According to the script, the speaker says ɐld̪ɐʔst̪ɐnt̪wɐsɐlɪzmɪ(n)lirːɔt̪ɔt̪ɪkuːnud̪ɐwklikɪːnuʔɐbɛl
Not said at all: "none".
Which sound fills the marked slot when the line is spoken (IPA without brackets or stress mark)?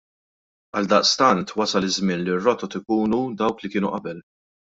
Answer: n